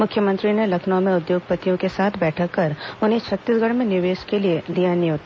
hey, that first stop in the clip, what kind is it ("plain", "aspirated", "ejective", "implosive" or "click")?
aspirated